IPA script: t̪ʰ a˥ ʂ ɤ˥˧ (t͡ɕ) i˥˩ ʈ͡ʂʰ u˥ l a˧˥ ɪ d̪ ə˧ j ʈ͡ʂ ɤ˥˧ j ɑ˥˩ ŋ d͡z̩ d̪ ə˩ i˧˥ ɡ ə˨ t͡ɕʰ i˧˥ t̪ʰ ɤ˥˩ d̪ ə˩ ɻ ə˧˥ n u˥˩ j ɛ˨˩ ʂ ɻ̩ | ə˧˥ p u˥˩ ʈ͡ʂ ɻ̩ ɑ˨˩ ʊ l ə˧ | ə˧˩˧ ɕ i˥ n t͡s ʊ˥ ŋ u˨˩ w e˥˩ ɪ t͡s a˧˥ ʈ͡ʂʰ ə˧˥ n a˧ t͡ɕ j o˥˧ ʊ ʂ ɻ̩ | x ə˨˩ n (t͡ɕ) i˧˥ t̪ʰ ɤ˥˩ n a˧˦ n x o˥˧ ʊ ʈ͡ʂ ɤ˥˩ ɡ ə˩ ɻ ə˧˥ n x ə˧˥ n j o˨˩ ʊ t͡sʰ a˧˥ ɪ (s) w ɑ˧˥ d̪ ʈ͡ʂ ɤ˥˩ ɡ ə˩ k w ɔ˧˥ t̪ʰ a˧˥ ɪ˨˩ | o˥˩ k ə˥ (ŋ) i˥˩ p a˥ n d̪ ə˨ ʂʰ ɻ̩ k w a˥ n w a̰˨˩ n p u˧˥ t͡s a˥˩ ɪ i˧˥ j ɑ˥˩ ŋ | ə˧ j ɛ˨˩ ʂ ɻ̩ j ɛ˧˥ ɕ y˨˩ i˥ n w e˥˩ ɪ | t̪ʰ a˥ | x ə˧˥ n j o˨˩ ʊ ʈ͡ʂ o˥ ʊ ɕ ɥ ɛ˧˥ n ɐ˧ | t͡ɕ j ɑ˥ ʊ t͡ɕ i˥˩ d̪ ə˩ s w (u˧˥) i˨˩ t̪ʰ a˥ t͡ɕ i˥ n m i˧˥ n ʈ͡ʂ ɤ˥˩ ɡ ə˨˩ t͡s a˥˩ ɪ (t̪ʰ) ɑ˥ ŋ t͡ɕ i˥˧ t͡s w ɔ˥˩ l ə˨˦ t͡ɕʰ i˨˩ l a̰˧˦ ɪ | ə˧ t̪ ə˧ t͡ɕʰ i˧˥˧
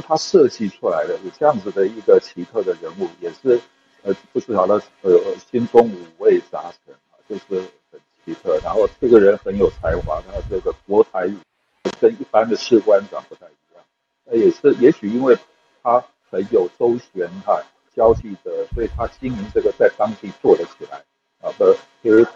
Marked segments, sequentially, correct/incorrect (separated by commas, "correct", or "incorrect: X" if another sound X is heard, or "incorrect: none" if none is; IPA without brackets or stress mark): correct, incorrect: t͡ɕʰ, incorrect: x, incorrect: n, incorrect: ɔ˧˥, incorrect: t̪